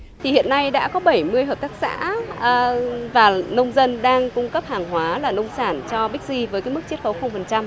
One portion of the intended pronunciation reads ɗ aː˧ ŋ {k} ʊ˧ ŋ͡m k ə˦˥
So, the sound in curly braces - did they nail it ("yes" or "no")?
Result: yes